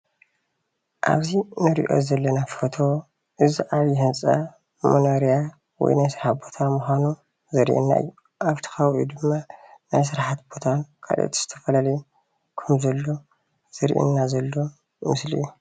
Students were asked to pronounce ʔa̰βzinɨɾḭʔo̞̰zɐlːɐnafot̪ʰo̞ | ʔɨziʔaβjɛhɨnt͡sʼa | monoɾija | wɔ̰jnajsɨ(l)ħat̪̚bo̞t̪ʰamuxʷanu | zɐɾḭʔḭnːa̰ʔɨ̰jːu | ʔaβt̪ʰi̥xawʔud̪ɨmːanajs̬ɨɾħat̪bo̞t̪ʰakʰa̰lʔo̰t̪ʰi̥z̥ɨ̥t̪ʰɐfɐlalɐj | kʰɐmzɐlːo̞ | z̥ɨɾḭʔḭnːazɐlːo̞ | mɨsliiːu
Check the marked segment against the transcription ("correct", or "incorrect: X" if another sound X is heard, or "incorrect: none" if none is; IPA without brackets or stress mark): incorrect: ɾ